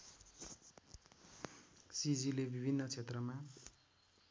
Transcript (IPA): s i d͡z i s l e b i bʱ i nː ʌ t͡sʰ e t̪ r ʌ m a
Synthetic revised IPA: s i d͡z i l e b i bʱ i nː ʌ t͡sʰ e t̪ r ʌ m a